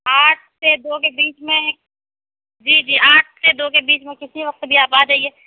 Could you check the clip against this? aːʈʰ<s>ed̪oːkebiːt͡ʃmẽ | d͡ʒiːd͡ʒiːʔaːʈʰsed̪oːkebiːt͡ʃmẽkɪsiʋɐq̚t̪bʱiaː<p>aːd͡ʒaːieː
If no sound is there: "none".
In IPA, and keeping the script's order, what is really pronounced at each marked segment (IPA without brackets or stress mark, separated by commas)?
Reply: s, p